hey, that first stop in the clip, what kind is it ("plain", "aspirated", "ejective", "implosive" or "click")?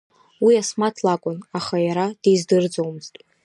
aspirated